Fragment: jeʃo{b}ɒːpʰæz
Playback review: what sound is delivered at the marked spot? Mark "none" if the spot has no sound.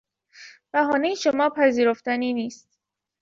m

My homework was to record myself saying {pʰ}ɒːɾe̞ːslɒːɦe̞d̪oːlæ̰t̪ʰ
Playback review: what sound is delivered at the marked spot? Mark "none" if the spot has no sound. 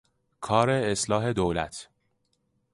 kʰ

